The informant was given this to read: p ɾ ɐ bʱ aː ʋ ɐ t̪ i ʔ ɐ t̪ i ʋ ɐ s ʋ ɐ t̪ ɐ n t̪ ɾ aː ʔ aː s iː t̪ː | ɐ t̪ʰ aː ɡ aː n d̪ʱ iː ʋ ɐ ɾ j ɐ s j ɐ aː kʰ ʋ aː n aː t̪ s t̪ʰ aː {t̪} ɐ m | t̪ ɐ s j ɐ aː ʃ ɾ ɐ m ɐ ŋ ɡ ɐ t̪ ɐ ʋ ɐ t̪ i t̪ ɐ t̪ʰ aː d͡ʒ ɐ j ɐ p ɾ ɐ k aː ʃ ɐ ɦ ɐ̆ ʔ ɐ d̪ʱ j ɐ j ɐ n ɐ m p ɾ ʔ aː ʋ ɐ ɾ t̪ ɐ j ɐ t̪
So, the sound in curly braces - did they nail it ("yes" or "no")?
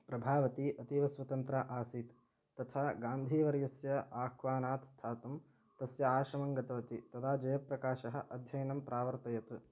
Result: yes